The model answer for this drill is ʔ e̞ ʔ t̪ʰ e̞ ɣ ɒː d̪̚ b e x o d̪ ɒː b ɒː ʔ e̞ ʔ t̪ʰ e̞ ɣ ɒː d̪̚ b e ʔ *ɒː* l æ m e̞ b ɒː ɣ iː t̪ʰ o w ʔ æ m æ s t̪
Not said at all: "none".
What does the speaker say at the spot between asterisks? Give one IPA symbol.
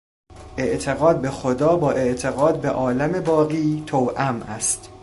ɒː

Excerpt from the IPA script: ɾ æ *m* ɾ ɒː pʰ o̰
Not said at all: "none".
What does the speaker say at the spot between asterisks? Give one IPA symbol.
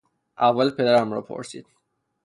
m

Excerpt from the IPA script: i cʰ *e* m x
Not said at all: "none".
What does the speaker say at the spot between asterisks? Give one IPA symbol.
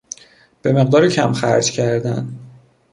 æ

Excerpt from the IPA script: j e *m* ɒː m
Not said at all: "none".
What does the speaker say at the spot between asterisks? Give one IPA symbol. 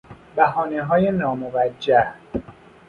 n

